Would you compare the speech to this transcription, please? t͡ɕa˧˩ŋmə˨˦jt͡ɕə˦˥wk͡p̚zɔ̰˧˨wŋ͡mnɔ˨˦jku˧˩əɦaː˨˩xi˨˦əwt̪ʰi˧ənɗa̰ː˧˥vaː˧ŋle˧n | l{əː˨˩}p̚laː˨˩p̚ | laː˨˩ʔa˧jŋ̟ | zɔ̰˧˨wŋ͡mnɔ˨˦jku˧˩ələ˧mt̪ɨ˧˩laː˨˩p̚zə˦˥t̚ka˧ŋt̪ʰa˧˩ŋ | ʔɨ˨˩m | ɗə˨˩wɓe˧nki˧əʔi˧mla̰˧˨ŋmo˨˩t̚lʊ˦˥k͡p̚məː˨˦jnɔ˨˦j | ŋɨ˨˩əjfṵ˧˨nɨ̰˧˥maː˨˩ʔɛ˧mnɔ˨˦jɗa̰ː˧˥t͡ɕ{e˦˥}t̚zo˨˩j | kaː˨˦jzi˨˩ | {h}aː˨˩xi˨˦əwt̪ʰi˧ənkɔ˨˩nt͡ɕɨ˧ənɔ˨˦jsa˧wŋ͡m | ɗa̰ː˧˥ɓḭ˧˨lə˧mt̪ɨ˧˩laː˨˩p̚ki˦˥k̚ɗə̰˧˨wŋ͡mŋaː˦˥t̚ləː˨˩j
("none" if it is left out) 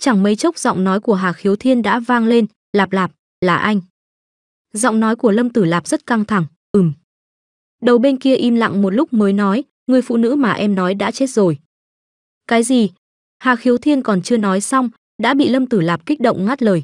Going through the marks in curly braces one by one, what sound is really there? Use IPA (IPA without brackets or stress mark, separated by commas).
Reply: aː˨˩, e˦˥, h